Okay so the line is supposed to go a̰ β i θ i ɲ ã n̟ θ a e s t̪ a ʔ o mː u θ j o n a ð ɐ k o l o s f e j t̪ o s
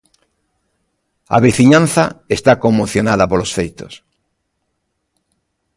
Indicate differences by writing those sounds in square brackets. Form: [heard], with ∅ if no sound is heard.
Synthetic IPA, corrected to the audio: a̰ β i θ i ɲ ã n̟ θ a e s t̪ a [k] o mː [o] θ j o n a ð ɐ [p] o l o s f e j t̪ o s